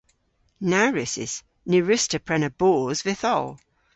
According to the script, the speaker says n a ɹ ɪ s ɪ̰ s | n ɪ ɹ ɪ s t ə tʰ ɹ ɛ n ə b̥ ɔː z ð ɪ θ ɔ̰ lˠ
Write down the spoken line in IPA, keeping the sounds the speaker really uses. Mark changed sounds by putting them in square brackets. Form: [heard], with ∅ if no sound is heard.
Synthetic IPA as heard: n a ɹ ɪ s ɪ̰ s | n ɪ ɹ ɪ s t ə [pʰ] ɹ ɛ n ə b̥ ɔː z [v] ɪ θ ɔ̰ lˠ